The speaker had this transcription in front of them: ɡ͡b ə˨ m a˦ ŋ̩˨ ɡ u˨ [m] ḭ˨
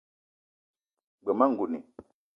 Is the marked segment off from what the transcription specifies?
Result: yes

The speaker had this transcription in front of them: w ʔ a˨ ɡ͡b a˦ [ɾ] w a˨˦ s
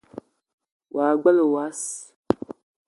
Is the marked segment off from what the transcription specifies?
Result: yes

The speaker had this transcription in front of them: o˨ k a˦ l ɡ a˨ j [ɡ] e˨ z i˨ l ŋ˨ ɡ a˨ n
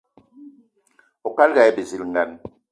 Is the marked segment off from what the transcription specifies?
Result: yes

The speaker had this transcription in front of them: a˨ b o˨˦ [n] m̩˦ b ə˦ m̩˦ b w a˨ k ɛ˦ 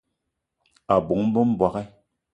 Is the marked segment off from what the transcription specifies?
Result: yes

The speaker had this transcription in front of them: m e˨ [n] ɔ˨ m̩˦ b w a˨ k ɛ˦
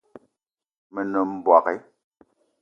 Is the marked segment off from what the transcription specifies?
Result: no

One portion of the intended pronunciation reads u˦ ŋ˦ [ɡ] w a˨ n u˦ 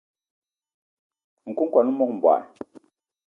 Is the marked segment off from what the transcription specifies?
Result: yes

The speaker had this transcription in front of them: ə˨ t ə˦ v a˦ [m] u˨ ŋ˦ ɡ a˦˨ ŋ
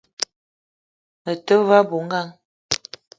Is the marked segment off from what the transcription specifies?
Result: yes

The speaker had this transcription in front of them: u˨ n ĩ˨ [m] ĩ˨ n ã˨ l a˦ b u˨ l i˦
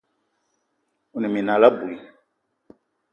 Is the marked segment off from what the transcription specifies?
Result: no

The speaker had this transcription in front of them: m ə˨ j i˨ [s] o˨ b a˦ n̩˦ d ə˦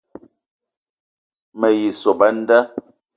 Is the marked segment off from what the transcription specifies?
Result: no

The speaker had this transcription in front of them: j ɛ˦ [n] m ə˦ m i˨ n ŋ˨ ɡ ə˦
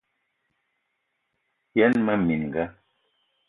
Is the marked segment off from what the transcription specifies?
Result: no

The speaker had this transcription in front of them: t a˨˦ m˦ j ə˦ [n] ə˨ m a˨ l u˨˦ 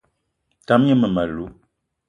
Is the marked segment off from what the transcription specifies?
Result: yes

